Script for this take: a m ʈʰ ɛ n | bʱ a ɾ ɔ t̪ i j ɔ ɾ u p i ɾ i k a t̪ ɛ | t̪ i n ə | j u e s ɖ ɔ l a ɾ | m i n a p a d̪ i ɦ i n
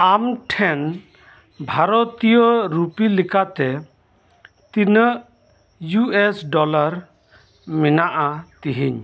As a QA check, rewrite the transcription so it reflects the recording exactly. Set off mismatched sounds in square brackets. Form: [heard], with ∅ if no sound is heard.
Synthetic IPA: a m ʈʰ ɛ n | bʱ a ɾ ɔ t̪ i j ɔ ɾ u p i [l] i k a t̪ ɛ | t̪ i n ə | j u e s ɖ ɔ l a ɾ | m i n a [ʔ] a [t̪] i ɦ i [ɲ]